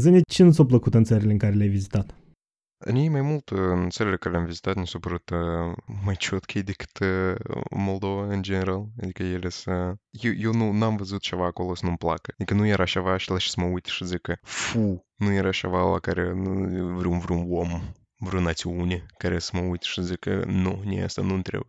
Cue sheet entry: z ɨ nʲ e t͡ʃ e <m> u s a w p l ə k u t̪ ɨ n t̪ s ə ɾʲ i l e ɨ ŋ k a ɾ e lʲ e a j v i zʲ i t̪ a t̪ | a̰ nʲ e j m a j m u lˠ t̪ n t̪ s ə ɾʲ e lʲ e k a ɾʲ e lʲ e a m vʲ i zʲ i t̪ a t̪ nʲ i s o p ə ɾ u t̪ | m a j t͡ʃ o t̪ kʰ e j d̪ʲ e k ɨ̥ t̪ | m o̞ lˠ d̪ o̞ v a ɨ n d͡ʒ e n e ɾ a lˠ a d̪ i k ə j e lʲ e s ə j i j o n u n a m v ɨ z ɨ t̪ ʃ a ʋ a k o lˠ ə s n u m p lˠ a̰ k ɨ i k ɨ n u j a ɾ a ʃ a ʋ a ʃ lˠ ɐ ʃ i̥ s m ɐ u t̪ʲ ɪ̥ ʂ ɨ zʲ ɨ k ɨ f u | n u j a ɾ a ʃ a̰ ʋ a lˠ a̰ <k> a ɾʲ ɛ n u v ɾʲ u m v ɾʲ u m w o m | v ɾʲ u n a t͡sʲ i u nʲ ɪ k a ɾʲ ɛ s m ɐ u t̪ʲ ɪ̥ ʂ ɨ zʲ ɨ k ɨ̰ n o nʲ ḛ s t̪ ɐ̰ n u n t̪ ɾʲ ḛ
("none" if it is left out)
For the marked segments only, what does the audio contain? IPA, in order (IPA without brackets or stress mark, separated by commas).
n, k